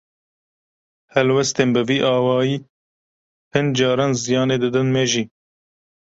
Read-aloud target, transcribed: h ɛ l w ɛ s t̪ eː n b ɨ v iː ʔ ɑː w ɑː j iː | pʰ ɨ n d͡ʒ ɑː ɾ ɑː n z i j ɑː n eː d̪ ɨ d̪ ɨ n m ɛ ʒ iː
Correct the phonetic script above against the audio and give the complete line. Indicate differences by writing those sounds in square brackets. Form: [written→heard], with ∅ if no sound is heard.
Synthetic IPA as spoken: h ɛ l w ɛ s t̪ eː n b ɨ v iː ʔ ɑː w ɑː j iː | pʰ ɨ n d͡ʒ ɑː ɾ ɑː n z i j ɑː n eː d̪ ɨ d̪ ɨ n m ɛ ʒ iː